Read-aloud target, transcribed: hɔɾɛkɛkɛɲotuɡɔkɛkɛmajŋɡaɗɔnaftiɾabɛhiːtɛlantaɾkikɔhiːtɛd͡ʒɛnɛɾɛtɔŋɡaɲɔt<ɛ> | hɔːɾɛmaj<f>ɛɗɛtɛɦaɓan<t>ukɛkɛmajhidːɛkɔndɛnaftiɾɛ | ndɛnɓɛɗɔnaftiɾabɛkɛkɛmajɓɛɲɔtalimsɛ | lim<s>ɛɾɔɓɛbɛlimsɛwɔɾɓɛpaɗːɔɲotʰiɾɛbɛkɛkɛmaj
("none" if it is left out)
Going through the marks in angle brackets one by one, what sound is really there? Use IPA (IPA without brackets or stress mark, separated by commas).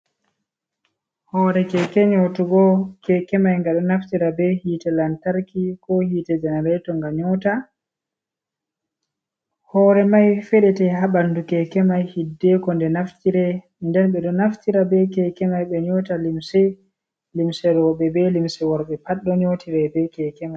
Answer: a, f, d, s